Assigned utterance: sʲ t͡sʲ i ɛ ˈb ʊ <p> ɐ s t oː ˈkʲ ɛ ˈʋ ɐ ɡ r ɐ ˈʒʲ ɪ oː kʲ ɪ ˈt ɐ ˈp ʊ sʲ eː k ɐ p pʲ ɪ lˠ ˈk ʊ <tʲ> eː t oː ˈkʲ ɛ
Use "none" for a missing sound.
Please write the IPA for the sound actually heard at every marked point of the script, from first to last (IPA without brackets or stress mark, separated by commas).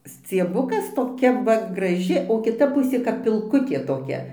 k, tʲ